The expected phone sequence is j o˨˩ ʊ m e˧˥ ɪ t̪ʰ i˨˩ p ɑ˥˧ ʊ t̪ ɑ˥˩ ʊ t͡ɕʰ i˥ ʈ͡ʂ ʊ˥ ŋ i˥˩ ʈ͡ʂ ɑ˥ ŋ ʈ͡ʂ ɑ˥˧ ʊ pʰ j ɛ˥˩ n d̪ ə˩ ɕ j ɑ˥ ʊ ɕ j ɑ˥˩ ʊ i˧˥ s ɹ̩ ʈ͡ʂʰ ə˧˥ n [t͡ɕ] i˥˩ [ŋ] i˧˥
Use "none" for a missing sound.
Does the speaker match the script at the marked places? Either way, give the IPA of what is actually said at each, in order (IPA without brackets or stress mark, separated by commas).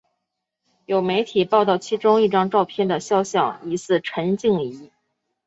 t͡ɕ, ŋ